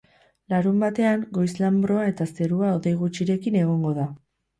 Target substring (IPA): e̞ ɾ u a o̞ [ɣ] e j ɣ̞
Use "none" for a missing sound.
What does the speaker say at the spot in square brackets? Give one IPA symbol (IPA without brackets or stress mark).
ð